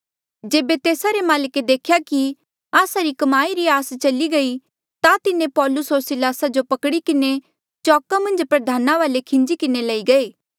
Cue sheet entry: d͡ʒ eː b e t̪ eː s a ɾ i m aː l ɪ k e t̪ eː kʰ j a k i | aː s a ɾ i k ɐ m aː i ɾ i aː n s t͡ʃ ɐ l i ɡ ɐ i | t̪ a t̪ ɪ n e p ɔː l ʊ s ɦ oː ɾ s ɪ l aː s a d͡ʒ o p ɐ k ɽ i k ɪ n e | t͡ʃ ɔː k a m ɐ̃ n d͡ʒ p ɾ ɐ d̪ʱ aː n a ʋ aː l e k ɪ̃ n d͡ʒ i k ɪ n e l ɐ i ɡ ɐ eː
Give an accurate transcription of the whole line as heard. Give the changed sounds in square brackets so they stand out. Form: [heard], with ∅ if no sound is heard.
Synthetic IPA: d͡ʒ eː b e t̪ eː s a ɾ [e] m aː l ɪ k e [d̪] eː kʰ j a k i | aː s a ɾ i k ɐ m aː i ɾ i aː [∅] s t͡ʃ ɐ l i ɡ ɐ i | t̪ a t̪ ɪ n e p ɔː l ʊ s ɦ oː ɾ s ɪ l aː s a d͡ʒ o p ɐ k ɽ i k ɪ n e | t͡ʃ ɔː k a m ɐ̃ n d͡ʒ p ɾ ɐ d̪ʱ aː n a ʋ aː l e [kʰ] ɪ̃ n d͡ʒ i k ɪ n e l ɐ i ɡ ɐ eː